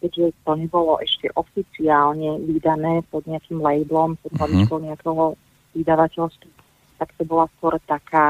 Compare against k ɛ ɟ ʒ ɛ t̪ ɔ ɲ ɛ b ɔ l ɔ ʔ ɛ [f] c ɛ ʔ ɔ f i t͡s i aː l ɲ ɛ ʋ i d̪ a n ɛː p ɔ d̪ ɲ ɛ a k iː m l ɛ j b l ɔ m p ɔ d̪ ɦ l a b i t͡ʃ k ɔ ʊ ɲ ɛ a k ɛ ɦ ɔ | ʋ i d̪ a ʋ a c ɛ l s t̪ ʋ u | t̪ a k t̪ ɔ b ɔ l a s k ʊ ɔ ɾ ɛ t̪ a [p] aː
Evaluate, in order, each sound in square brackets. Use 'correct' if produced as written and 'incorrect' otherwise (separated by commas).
incorrect, incorrect